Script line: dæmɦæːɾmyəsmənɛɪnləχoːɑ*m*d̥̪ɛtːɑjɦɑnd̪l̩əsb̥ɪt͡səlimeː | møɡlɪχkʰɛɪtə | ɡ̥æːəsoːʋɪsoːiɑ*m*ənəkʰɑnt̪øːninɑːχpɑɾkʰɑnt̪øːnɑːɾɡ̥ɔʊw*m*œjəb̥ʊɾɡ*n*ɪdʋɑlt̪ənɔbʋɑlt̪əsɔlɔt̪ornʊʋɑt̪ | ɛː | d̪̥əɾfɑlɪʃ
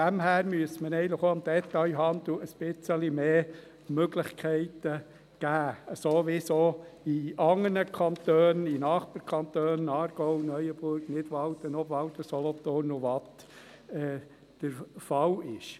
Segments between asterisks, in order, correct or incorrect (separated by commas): correct, incorrect, incorrect, correct